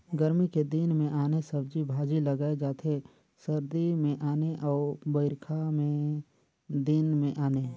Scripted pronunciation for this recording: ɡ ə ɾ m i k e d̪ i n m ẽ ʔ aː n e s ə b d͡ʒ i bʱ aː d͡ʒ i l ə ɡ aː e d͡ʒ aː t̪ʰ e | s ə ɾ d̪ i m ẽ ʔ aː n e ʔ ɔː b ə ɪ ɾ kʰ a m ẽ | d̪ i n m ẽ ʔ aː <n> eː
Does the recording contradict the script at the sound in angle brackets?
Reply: no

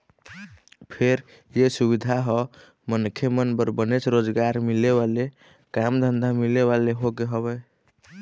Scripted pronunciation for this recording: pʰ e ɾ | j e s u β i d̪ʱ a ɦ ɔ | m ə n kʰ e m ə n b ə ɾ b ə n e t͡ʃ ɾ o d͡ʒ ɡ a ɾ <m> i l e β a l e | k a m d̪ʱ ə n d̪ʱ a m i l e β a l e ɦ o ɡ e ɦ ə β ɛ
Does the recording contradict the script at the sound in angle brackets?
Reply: no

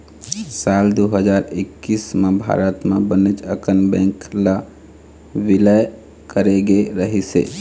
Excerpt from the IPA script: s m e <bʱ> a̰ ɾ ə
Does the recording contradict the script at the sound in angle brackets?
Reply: no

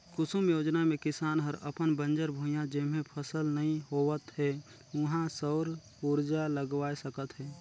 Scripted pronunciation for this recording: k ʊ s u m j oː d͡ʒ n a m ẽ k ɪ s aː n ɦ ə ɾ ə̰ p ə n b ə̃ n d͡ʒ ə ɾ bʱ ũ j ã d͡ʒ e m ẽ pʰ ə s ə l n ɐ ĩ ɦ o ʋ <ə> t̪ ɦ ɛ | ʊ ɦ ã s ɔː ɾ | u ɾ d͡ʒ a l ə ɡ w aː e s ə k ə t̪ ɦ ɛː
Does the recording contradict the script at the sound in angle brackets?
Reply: no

